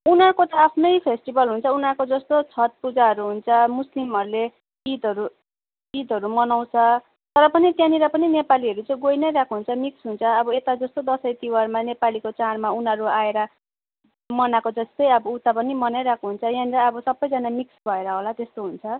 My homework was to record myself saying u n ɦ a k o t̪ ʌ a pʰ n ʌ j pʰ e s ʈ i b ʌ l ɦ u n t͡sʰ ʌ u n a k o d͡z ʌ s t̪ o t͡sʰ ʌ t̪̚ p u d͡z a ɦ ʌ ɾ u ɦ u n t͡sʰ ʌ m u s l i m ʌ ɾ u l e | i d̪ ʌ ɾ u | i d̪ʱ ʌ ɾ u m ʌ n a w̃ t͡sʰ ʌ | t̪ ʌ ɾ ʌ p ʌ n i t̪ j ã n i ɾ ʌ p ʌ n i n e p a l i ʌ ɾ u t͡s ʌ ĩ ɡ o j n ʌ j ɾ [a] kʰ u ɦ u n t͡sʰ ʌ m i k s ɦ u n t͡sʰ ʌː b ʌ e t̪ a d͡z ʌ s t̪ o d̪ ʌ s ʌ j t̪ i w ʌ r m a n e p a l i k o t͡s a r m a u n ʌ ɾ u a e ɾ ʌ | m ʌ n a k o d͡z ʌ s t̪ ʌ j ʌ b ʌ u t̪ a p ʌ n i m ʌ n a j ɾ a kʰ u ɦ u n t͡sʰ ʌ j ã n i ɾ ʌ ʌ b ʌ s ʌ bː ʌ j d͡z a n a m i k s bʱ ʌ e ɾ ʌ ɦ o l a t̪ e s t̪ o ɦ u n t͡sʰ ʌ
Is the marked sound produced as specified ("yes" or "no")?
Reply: yes